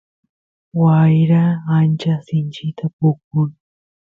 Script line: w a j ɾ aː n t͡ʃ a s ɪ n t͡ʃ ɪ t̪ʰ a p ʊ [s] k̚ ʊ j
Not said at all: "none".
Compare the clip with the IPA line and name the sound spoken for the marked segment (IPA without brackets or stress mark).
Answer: none